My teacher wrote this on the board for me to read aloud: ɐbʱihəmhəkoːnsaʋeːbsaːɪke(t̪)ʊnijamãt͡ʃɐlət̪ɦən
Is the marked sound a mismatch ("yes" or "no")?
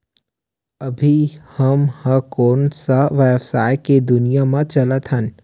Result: yes